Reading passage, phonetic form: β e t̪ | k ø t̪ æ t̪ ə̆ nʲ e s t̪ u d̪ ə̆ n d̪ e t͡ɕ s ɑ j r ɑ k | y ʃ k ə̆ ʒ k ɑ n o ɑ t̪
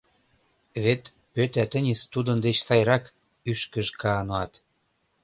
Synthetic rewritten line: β e t̪ | p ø t̪ æ t̪ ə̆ nʲ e s t̪ u d̪ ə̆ n d̪ e t͡ɕ s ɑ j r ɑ k | y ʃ k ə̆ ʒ k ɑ n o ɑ t̪